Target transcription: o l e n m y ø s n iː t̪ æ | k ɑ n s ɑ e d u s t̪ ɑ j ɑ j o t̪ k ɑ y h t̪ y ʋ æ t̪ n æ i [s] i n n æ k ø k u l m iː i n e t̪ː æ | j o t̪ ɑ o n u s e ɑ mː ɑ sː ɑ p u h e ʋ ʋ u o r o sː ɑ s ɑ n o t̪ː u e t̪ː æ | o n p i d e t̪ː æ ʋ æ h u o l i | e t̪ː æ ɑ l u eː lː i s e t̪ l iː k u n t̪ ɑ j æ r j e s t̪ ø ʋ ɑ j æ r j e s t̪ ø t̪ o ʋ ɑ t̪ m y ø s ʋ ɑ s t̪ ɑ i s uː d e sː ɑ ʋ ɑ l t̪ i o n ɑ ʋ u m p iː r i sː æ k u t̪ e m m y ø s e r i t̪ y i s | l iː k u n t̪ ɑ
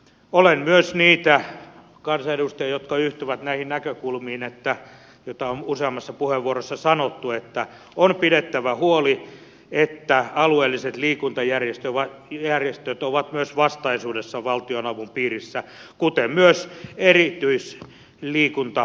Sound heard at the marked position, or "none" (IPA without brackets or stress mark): h